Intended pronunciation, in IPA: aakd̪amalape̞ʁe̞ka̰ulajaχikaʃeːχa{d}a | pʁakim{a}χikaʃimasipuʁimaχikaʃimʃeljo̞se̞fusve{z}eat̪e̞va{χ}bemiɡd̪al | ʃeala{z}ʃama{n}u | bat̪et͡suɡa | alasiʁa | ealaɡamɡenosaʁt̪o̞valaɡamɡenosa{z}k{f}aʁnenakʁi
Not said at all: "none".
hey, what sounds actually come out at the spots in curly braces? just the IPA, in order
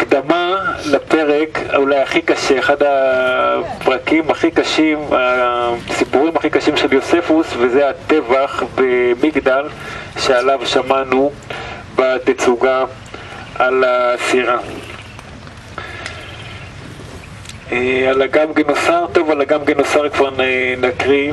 d, a, z, χ, v, n, ʁ, v

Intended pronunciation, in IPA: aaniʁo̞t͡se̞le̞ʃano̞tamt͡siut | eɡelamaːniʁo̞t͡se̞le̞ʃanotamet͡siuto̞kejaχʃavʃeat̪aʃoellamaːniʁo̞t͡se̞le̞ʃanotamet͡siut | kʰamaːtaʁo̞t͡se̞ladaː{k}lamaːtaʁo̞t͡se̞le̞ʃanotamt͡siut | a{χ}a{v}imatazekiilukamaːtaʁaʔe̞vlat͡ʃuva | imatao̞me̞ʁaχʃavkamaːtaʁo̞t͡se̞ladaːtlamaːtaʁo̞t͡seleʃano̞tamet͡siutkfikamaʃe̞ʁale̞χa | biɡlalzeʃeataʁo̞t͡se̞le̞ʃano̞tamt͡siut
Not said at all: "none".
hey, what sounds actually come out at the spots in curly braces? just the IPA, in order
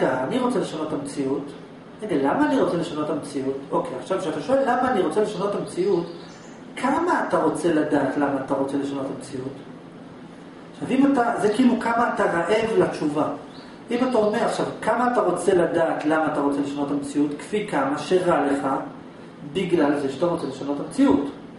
t, ʃ, v

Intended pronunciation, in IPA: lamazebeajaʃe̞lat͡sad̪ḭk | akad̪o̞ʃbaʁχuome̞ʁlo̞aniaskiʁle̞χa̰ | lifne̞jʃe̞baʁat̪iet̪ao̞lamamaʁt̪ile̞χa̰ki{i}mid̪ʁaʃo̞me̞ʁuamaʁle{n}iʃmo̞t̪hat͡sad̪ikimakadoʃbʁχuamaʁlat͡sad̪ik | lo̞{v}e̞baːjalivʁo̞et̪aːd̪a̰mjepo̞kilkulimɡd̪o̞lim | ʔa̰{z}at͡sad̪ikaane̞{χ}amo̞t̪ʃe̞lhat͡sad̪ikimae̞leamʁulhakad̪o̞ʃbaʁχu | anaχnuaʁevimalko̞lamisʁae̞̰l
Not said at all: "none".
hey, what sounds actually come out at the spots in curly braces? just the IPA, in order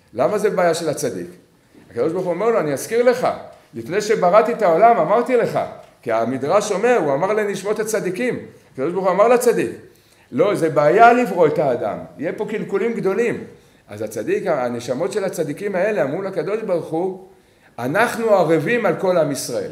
a, n, z, z, ʃ

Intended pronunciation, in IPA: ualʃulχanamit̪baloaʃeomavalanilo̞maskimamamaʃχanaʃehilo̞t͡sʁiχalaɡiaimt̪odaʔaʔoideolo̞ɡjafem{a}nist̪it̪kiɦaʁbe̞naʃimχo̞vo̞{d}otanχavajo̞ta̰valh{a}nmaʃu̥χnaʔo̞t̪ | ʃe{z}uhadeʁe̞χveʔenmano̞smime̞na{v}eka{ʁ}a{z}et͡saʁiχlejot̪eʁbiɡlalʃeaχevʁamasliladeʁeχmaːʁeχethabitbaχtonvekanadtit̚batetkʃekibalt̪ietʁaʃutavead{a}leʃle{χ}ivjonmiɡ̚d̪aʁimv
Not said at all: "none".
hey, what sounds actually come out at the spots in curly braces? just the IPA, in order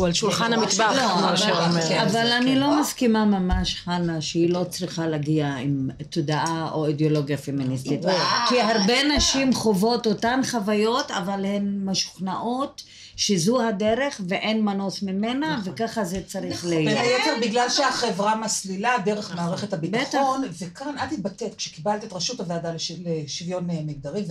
i, t, e, z, v, χ, z, a, ʃ

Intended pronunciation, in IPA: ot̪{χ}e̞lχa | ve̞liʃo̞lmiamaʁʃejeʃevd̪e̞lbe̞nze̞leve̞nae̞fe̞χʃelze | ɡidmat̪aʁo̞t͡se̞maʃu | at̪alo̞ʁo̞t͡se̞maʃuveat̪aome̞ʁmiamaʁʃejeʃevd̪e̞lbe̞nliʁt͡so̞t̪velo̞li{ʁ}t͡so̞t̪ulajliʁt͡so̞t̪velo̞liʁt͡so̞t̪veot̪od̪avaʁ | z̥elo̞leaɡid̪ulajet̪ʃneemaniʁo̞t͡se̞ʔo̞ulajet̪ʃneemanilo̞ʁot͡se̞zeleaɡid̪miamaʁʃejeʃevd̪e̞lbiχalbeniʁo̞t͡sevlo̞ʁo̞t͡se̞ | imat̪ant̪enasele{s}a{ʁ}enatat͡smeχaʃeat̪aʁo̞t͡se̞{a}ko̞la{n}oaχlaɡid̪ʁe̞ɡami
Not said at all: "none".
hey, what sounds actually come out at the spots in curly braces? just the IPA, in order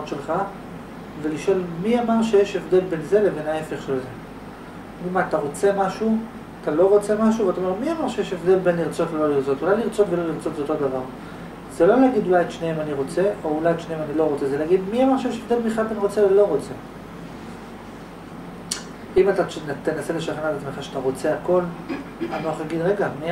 ʃ, ʁ, ʃ, χ, a, n

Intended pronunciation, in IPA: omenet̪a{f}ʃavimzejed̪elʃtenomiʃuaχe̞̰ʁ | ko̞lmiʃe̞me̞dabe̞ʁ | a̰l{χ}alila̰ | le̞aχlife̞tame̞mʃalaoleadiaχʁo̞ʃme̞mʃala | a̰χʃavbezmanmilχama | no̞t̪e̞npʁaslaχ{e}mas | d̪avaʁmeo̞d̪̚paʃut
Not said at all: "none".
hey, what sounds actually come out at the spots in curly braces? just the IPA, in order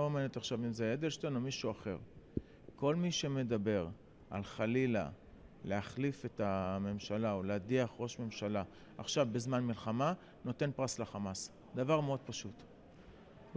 χ, χ, a

